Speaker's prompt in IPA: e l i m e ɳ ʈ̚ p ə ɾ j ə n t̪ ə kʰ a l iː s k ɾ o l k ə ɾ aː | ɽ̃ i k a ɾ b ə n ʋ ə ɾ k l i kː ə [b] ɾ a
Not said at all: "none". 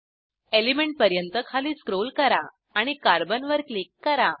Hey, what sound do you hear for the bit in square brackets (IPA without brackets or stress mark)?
none